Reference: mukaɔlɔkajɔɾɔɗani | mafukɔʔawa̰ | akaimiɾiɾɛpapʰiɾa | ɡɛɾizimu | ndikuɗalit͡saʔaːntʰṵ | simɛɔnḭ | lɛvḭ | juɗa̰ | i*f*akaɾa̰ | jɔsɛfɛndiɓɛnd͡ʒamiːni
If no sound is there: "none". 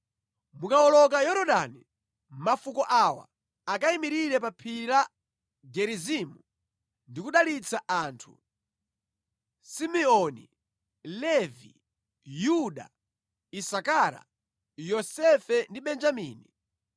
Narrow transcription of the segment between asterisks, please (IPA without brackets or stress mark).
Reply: s